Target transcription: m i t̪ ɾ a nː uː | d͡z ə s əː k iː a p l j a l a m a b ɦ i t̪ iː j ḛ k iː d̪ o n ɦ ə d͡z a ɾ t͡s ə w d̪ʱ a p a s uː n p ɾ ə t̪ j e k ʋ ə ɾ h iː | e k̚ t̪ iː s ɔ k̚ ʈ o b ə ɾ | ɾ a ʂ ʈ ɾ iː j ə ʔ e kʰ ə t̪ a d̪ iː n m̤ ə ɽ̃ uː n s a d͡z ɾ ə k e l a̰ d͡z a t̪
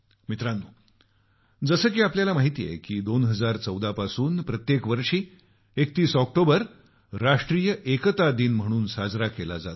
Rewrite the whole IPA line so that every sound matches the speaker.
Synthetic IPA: m i t̪ ɾ a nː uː | d͡z ə s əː k iː a p l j a l a m a ɦ i t̪ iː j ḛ k iː d̪ o n ɦ ə d͡z a ɾ t͡s ə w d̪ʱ a p a s uː n p ɾ ə t̪ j e k ʋ ə ɾ ʂ iː | e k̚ t̪ iː s ɔ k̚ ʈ o b ə ɾ | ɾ a ʂ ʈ ɾ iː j ə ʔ e k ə t̪ a d̪ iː n m̤ ə ɽ̃ uː n s a d͡z ɾ a k e l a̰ d͡z a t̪

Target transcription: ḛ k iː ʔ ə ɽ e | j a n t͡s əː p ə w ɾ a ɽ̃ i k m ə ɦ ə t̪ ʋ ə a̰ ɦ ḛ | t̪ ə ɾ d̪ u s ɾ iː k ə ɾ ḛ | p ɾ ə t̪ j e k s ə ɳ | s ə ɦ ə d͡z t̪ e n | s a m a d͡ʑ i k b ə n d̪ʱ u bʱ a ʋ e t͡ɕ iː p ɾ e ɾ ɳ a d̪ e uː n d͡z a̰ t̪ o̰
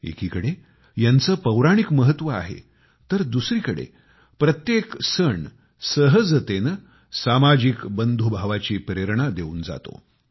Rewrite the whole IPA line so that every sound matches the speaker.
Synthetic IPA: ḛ k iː k ə ɽ e | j a n t͡s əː p ə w ɾ a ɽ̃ i k m ə ɦ ə t̪ ʋ ə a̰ ɦ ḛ | t̪ ə ɾ d̪ u s ɾ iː k ə ɽ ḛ | p ɾ ə t̪ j e k s ə ɳ | s ə ɦ ə d͡z t̪ e n | s a m a d͡ʑ i k b ə n d̪ʱ u bʱ a ʋ a t͡ɕ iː p ɾ e ɾ ɳ a d̪ e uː n d͡z a̰ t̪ o̰

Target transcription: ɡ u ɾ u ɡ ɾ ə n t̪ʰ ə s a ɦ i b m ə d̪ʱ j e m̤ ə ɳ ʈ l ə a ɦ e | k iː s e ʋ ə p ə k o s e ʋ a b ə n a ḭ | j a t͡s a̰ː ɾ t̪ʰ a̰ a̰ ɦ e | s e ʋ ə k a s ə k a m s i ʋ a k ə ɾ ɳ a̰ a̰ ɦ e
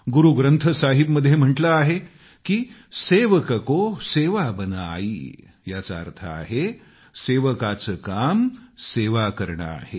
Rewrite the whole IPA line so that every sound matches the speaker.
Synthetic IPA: ɡ u ɾ u ɡ ɾ ə n t̪ʰ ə s a ɦ i b m ə d̪ʱ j e m̤ ə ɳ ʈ l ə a ɦ e | k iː s e ʋ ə k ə k o s e ʋ a b ə n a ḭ | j a t͡s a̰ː ɾ t̪ʰ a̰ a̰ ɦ e | s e ʋ ə k a t͡s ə k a m s e ʋ a k ə ɾ ɳ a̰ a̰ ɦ e

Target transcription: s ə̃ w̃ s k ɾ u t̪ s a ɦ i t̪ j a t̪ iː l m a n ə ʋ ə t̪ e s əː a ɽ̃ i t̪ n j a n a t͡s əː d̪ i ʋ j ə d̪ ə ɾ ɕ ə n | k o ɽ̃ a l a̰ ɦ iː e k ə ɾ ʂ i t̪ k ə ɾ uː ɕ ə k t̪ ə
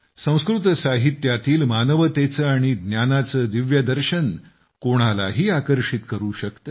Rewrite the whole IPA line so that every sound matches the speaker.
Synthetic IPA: s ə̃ w̃ s k ɾ u t̪ s a ɦ i t̪ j a t̪ iː l m a n ə ʋ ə t̪ e t͡s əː a ɽ̃ i d̪ n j a n a t͡s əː d̪ i ʋ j ə d̪ ə ɾ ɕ ə n | k o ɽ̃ a l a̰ ɦ iː a k ə ɾ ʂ i t̪ k ə ɾ uː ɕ ə k t̪ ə

